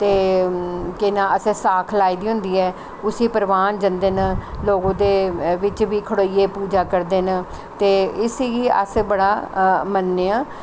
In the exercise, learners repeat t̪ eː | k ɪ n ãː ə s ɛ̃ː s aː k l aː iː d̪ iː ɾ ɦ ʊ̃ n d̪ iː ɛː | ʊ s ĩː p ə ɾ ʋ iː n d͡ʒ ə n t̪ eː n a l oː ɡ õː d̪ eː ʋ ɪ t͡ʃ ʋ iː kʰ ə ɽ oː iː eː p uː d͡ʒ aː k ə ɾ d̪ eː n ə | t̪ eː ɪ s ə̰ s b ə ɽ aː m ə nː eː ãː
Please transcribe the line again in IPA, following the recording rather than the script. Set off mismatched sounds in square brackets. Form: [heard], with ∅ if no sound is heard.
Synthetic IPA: t̪ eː | k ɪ n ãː ə s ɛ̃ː s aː [kʰ] l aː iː d̪ iː [∅] ɦ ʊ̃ n d̪ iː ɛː | ʊ s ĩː p ə ɾ ʋ [aː] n d͡ʒ ə n [d̪] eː n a l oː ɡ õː d̪ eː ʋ ɪ t͡ʃ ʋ iː kʰ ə ɽ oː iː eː p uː d͡ʒ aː k ə ɾ d̪ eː n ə | t̪ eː ɪ s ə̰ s b ə ɽ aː m ə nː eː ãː